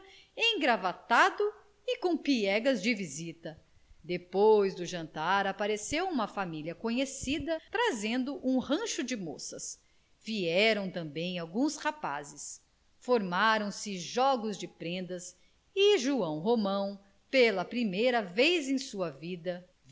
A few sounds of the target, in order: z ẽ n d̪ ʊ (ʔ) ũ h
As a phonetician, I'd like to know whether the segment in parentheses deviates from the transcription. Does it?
no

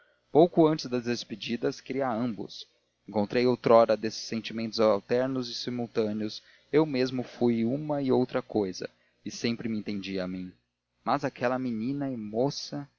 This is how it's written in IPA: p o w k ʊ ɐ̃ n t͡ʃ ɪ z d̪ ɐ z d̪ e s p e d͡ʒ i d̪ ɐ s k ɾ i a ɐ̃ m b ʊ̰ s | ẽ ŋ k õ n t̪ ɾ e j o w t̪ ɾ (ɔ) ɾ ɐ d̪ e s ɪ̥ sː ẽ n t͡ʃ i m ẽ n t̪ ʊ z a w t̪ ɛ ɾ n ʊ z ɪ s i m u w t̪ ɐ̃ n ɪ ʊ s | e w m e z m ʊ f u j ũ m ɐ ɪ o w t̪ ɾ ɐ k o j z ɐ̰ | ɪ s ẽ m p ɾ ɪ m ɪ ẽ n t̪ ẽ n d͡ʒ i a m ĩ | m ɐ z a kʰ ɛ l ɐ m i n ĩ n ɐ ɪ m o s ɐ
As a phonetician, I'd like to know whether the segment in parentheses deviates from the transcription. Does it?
no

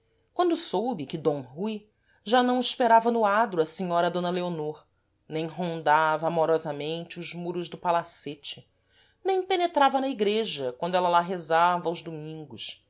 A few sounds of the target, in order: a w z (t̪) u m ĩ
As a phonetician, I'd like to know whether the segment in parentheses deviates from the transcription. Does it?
yes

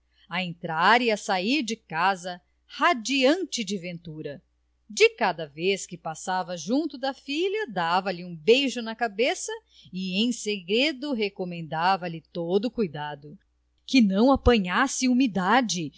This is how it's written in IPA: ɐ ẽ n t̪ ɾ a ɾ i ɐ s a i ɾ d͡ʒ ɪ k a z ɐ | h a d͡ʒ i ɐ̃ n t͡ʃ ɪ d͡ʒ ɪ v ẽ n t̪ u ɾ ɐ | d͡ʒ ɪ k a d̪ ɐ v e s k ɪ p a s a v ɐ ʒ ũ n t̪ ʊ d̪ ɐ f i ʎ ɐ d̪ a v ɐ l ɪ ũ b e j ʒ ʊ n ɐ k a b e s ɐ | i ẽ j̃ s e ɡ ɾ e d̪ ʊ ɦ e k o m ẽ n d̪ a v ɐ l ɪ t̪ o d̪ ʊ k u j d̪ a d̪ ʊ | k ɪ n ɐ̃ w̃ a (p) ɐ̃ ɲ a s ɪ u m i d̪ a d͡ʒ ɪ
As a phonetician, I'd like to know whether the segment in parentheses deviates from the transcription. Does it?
no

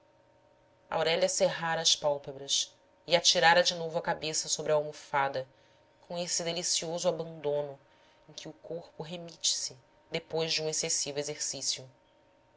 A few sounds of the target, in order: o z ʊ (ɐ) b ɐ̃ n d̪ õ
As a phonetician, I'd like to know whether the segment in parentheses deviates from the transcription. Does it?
yes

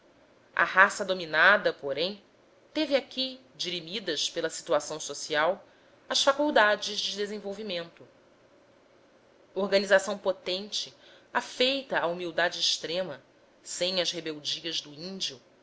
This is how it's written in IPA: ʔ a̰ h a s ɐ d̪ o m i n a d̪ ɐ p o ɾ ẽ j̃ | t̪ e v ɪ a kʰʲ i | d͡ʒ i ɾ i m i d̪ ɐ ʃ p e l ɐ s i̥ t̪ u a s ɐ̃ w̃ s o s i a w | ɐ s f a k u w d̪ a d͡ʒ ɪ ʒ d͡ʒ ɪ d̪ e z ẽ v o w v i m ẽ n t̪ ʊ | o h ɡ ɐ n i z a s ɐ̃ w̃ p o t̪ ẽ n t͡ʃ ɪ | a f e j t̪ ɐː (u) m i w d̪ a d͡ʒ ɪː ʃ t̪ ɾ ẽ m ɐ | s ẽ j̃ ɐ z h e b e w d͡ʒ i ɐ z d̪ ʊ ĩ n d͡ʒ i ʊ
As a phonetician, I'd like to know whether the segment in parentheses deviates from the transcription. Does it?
no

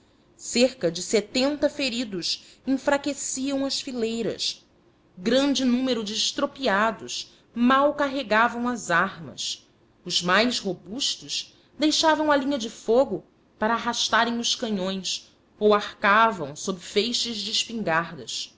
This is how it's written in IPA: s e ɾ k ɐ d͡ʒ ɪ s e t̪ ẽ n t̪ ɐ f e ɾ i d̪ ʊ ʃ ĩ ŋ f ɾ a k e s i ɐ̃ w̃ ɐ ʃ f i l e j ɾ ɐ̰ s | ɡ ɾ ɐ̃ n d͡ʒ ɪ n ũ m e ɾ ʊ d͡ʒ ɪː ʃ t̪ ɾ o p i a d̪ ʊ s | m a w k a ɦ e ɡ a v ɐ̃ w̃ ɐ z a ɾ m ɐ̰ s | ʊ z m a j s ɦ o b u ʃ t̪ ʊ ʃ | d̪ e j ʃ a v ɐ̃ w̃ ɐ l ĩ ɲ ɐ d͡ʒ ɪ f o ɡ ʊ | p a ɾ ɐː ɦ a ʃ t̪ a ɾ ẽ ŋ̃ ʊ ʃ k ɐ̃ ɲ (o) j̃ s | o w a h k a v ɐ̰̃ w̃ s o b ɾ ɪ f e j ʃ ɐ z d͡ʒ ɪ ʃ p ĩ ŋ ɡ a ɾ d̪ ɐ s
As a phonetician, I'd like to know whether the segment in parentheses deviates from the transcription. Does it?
yes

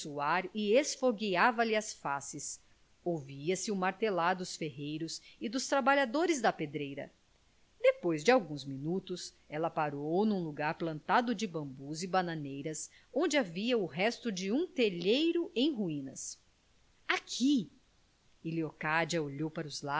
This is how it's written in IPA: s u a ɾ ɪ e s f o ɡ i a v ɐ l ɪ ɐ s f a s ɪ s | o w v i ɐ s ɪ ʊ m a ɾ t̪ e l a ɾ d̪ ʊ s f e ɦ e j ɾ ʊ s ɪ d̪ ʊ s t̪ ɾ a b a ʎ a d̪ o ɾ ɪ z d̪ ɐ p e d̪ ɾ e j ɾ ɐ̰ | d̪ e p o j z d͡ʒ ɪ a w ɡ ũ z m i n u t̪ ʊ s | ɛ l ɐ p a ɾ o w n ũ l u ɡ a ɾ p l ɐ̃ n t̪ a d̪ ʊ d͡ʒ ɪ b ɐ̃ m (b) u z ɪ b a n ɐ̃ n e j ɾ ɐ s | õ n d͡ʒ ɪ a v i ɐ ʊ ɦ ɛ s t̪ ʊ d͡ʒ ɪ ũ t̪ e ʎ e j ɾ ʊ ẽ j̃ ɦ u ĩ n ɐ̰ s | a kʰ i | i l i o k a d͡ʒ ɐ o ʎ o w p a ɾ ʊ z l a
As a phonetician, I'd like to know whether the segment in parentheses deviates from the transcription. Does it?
no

